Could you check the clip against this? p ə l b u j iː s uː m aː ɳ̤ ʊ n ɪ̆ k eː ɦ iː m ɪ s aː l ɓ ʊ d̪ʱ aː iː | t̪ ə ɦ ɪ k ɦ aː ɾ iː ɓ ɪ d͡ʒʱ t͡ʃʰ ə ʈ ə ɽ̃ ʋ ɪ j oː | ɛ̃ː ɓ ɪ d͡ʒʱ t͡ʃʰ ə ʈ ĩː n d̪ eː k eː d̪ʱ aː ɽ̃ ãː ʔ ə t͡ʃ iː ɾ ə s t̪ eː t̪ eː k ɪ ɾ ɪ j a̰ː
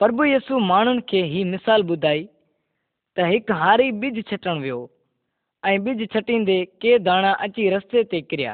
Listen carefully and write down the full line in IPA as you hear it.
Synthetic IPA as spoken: p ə ɾ b u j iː s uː m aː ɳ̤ ʊ n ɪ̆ kʰ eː ɦ iː m ɪ s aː l ɓ ʊ d̪ʱ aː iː | t̪ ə ɦ ɪ k ɦ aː ɾ iː ɓ ɪ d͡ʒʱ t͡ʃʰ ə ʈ ə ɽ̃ ʋ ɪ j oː | ɛ̃ː ɓ ɪ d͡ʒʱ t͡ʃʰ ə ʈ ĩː n d̪ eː k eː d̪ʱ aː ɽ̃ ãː ʔ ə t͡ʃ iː ɾ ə s t̪ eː t̪ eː k ɪ ɾ ɪ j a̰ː